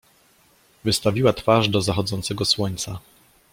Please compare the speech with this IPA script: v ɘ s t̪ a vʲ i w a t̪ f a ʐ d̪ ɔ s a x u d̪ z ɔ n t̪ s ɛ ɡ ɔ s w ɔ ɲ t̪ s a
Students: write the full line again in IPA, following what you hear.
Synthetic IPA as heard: v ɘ s t̪ a vʲ i w a t̪ f a ʐ d̪ ɔ z a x ɔ d̪ z ɔ n t̪ s ɛ ɡ ɔ s w ɔ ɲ t̪ s a